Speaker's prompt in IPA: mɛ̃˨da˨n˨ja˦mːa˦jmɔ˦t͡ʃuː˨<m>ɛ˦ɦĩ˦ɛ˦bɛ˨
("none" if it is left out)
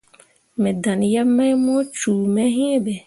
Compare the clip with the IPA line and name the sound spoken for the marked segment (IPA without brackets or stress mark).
m